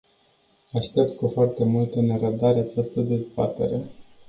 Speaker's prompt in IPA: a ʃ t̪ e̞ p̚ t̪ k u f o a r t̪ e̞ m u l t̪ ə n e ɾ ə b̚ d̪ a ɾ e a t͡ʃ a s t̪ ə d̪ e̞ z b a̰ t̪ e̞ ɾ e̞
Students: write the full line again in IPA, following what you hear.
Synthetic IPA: a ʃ t̪ e̞ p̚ t̪ k u f o a r t̪ e̞ m u l t̪ ə n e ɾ ə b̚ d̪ a ɾ e a t͡ʃ a s t̪ ə d̪ e̞ z b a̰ t̪ e̞ ɾ e̞